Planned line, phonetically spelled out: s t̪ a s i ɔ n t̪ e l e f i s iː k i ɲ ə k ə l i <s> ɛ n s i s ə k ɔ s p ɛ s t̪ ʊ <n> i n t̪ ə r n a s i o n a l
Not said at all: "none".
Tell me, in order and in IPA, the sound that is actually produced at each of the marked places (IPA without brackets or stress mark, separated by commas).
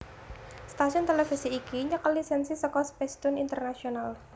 s, n